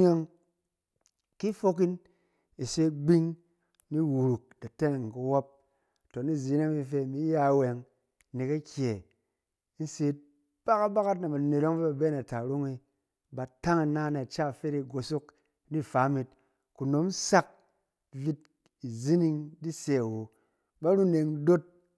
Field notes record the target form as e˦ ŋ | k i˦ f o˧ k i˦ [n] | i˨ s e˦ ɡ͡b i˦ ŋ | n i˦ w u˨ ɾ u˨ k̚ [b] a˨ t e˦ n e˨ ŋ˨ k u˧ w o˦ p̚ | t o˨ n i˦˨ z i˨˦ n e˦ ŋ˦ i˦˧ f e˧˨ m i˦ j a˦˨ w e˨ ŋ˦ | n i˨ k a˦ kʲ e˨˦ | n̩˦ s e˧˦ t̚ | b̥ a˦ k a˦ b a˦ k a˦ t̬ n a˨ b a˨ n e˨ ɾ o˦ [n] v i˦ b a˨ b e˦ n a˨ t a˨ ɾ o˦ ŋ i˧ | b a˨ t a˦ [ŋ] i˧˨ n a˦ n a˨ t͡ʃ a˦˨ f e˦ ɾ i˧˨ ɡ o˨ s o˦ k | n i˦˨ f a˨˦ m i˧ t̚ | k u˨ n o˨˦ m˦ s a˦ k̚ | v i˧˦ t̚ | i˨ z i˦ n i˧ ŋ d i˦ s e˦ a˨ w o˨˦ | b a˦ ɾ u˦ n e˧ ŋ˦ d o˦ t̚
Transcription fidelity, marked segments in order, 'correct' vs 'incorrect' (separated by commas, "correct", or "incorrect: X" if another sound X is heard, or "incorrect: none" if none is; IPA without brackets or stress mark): correct, incorrect: d, incorrect: ŋ, correct